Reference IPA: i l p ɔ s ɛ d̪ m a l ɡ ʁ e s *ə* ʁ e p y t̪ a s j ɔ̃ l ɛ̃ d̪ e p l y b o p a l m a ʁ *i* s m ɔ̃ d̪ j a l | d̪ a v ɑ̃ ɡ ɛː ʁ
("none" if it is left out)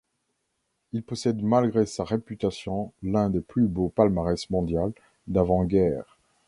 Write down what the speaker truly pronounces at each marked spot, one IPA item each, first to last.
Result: a, ɛ

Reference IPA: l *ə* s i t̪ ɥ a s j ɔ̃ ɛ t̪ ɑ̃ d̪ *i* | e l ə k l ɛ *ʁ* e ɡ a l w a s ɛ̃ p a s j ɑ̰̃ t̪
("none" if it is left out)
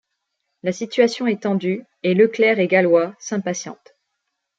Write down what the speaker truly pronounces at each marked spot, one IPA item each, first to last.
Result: a, y, ʁ

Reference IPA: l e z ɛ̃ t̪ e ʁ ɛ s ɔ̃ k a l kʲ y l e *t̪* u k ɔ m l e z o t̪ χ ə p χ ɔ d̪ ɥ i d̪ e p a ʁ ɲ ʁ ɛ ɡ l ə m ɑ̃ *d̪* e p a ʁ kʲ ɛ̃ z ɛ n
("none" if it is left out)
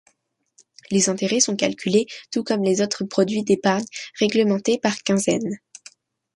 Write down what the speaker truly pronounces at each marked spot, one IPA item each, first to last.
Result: t̪, t̪

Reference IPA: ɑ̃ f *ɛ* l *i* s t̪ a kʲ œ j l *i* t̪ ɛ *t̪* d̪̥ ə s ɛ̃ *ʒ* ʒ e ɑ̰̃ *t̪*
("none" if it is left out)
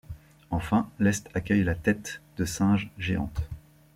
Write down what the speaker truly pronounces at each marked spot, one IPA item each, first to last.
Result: ɛ̃, ɛ, a, t̪, ʒ, t̪

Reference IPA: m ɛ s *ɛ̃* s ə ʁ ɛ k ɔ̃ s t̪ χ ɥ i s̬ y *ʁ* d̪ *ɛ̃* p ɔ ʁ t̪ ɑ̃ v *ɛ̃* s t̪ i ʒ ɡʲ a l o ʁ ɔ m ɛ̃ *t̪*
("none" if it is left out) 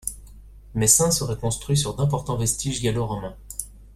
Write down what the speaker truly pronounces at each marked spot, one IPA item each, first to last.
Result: ɛ̃, ʁ, ɛ̃, ɛ, none

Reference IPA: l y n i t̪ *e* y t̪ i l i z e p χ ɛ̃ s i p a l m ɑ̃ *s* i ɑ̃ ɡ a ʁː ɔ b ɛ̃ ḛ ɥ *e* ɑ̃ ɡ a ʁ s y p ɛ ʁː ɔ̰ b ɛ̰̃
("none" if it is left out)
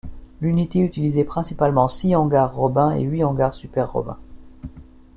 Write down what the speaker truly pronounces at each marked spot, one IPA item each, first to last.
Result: e, s, i

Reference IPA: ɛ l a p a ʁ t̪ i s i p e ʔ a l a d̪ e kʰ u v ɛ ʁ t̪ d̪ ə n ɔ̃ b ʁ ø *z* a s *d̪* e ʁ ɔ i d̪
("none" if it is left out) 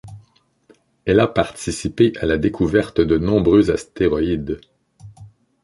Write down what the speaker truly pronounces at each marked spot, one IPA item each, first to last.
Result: z, t̪

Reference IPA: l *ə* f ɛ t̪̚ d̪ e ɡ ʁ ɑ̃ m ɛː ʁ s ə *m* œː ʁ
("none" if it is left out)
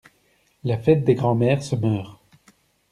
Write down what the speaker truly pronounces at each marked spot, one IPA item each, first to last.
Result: a, m

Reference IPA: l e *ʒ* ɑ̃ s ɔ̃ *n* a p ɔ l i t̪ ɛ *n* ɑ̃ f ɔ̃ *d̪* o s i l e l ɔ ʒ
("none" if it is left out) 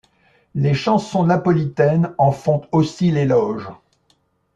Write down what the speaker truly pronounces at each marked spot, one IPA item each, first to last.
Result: ʃ, n, n, t̪

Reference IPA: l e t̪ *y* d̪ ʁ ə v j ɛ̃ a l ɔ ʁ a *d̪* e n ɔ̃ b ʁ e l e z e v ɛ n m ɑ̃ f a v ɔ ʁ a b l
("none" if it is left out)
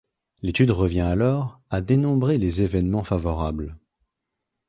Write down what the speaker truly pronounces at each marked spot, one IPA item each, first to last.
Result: y, d̪

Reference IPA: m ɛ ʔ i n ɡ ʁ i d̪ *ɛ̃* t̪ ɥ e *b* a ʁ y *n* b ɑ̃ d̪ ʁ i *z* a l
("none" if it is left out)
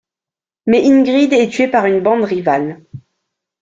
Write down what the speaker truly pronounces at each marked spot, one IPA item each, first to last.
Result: ɛ, p, n, v

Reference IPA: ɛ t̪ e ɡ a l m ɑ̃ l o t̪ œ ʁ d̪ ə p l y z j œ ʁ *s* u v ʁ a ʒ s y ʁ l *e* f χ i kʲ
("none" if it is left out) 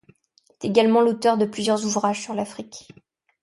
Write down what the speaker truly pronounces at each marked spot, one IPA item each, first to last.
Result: z, a

